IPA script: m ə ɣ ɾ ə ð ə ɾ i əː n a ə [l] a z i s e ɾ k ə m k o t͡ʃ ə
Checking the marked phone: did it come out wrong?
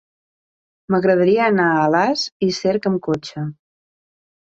no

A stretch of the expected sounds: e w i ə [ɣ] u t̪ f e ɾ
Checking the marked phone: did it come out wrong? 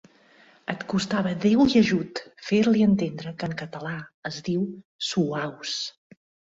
yes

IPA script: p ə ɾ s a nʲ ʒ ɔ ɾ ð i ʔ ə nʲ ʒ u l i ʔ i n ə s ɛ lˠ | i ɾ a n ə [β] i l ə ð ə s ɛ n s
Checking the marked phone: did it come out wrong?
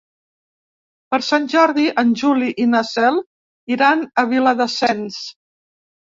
no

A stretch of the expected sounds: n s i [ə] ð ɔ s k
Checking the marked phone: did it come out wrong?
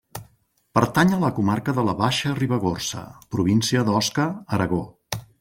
no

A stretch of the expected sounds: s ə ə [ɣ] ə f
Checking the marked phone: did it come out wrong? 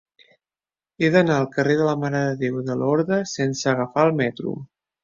no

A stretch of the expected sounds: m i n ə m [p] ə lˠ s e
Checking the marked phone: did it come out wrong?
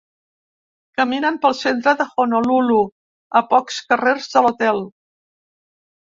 no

